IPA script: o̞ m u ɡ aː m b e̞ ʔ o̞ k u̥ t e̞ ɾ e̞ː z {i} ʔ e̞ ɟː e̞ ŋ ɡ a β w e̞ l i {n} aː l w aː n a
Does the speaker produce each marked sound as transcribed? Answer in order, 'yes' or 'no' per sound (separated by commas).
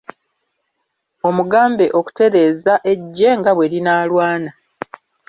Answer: no, yes